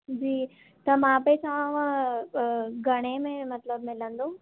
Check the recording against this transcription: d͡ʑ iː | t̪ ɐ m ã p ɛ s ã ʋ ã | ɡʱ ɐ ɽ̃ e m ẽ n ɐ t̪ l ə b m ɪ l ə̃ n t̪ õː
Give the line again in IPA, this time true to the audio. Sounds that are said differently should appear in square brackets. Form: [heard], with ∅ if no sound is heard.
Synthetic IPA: d͡ʑ iː | t̪ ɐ m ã p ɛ s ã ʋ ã | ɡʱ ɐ ɽ̃ e m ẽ [m] ɐ t̪ l ə b m ɪ l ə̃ n [d̪] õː